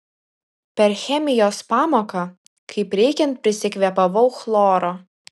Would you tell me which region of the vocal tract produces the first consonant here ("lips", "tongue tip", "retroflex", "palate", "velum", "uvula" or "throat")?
lips